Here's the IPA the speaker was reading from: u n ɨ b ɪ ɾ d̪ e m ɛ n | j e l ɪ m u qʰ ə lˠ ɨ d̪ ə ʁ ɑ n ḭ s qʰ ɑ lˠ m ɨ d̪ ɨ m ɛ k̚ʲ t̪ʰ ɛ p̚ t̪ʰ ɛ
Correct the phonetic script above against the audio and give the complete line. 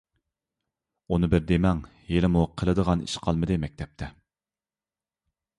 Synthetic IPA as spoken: u n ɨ b ɪ ɾ d̪ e m ɛ ŋ | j e l ɪ m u qʰ ə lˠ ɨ d̪ ə ʁ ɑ n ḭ ʃ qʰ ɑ lˠ m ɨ d̪ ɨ m ɛ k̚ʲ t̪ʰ ɛ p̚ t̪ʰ ɛ